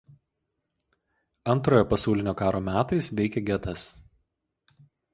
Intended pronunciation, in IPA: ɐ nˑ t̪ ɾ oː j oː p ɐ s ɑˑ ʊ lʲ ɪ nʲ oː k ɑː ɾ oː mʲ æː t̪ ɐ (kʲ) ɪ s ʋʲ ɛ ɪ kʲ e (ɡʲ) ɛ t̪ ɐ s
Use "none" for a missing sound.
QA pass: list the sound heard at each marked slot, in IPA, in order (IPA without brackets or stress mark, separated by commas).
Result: none, ɡʲ